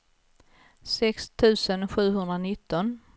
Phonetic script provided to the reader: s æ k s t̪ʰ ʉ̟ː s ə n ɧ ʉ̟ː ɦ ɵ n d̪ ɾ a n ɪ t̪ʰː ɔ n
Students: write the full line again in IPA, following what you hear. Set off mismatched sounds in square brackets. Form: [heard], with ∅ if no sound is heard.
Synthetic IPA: s [ɛ] k s t̪ʰ ʉ̟ː s ə n ɧ ʉ̟ː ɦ ɵ n d̪ ɾ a n ɪ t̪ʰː ɔ n